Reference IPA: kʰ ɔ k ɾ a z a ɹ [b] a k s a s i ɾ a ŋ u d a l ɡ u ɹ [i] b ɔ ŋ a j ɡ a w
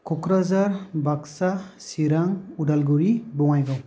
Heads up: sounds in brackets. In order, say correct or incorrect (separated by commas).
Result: correct, correct